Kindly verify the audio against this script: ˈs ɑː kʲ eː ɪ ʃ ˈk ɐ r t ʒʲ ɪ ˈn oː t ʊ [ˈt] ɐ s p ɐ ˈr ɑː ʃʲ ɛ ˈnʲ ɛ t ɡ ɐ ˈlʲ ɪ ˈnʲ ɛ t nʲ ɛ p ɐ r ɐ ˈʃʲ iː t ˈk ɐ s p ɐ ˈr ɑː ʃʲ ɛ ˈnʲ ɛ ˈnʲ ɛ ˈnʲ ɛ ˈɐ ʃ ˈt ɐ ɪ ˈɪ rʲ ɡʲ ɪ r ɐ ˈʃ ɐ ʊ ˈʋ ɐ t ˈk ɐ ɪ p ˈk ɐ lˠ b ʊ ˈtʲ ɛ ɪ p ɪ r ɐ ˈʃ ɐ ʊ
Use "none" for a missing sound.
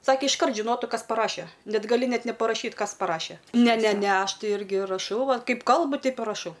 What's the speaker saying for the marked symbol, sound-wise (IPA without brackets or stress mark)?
k